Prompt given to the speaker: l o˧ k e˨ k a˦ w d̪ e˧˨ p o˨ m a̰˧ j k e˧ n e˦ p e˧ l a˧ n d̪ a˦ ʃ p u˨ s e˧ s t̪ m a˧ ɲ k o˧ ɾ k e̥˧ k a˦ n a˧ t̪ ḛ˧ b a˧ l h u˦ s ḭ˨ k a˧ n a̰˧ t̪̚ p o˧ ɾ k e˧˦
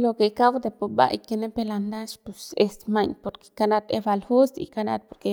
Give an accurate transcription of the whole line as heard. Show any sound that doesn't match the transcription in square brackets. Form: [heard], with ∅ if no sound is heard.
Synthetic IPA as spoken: l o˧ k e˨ k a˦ w d̪ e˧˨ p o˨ [b] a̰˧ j k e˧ n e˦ p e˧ l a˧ n d̪ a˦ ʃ p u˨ s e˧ s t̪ m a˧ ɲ [p] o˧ ɾ k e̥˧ k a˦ n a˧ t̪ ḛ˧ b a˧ l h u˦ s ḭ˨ k a˧ n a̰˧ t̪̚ p o˧ ɾ k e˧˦